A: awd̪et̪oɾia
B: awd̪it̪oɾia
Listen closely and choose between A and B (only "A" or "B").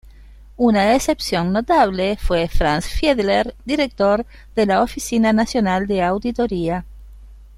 B